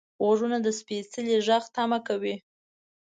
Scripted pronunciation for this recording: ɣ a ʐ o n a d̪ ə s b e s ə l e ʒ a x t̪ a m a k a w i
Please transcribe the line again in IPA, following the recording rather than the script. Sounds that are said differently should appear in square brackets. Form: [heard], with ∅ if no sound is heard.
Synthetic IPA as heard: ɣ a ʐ [u] n a d̪ ə s [p] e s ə l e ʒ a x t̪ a m a k a w i